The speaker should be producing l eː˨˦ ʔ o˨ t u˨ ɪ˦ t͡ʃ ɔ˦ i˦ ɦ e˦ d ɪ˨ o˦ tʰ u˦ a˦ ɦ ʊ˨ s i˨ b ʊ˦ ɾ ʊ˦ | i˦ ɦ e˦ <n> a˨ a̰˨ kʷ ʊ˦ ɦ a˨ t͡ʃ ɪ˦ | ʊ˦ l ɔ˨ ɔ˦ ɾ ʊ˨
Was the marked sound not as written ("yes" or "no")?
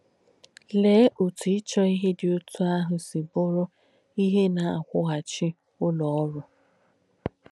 no